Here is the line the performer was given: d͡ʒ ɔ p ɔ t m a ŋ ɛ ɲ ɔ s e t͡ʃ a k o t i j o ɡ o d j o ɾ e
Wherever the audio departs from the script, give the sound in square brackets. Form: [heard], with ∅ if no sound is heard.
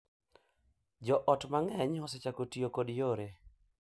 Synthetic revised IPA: d͡ʒ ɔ [ʔ] ɔ t m a ŋ ɛ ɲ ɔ s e t͡ʃ a k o t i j o [k] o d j o ɾ e